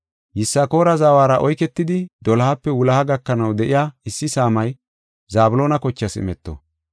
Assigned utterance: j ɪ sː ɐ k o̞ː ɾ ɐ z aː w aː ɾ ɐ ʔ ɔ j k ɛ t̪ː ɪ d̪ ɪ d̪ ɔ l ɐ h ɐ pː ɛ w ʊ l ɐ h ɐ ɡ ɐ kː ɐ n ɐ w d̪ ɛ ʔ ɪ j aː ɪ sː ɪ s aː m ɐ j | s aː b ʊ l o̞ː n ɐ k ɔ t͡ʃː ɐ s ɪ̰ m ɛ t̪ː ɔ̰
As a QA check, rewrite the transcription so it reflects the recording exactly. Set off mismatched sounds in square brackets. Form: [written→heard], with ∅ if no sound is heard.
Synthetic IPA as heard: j ɪ sː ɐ k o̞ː ɾ ɐ z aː w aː ɾ ɐ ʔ ɔ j k ɛ t̪ː ɪ d̪ ɪ d̪ ɔ l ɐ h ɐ pː ɛ w ʊ l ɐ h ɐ ɡ ɐ kː ɐ n ɐ w d̪ ɛ ʔ ɪ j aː ɪ sː ɪ s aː m ɐ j | [s→z] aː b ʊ l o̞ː n ɐ k ɔ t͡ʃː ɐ s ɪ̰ m ɛ t̪ː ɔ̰